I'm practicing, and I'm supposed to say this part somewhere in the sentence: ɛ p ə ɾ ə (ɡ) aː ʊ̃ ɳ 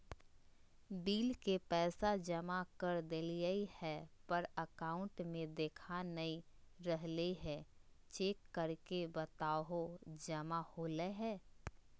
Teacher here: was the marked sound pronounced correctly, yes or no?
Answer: no